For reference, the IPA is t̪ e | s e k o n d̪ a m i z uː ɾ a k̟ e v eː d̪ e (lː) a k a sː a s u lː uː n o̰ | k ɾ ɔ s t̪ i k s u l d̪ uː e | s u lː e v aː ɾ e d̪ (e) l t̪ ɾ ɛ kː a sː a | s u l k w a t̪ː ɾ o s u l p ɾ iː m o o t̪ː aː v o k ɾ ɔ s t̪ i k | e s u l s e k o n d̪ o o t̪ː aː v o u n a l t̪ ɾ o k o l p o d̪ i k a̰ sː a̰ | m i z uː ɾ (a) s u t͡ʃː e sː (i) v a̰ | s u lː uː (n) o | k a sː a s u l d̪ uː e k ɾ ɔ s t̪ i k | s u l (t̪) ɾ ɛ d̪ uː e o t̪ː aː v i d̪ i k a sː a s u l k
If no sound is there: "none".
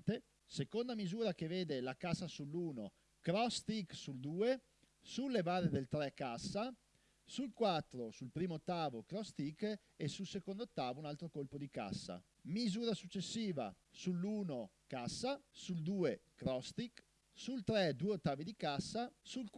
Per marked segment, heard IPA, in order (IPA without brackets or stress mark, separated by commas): l, e, a, iː, n, t̪